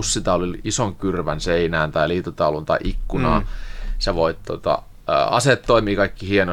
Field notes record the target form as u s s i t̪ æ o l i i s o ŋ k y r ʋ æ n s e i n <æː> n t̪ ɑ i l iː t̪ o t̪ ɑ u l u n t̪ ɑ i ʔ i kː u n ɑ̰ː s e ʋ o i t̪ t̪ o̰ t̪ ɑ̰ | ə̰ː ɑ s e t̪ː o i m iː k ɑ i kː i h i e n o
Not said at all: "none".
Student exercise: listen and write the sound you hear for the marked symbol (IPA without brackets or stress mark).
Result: æː